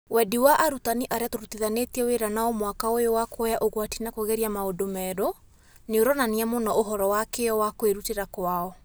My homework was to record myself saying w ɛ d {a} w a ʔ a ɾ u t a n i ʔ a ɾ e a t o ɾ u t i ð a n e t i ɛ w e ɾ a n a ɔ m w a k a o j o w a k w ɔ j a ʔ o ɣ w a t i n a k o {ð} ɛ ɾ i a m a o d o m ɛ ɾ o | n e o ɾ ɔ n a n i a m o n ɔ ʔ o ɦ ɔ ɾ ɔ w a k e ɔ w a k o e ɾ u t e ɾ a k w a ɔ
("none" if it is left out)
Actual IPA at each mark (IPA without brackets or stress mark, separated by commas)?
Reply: i, ɣ